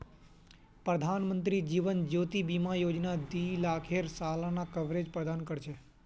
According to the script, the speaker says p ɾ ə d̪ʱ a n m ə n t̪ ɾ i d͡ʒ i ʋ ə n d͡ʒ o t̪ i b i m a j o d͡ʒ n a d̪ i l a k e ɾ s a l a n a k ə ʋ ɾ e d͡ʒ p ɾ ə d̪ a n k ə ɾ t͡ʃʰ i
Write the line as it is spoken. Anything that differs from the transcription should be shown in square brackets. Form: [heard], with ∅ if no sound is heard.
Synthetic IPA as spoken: p ɾ ə d̪ʱ a n m ə n t̪ ɾ i d͡ʒ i ʋ ə n d͡ʒ o t̪ i b i m a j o d͡ʒ n a d̪ i l a [kʰ] e ɾ s a l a n a k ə ʋ ɾ e d͡ʒ p ɾ ə d̪ a n k ə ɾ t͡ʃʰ [e]